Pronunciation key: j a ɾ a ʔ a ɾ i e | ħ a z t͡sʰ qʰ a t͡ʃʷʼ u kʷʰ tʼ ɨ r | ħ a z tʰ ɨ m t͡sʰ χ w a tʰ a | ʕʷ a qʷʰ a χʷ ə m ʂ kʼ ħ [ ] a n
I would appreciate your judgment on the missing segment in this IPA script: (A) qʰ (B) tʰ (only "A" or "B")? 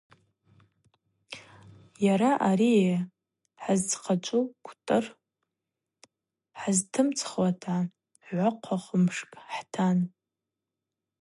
B